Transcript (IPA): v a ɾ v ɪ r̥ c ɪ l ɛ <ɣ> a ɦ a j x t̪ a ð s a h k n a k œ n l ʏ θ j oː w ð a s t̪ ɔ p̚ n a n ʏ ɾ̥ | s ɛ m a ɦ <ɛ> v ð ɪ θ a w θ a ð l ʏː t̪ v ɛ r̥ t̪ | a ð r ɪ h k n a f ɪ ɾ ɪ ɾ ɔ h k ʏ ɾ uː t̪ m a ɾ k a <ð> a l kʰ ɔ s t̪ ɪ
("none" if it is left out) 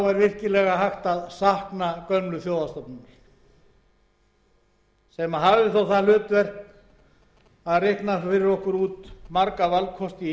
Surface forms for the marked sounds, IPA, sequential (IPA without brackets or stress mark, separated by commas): ɣ, a, v